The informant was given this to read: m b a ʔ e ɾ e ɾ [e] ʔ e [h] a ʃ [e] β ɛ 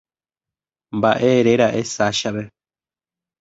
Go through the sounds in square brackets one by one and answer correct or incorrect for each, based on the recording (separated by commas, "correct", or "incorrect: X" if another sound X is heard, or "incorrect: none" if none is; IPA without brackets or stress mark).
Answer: incorrect: a, incorrect: s, incorrect: a